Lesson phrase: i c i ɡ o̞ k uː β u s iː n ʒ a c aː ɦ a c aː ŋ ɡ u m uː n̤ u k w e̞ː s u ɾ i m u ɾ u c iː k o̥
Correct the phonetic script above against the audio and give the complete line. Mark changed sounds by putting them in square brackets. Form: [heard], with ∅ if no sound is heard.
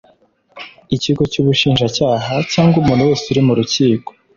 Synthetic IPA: i c i ɡ o̞ [c] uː β u [ʃ] iː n ʒ a c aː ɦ a c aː ŋ ɡ u m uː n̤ u [∅] w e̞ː s u ɾ i m u ɾ u c iː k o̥